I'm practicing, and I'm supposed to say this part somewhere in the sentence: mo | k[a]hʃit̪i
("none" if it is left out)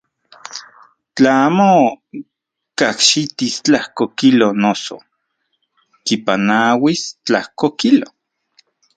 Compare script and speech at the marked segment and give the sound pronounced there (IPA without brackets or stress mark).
a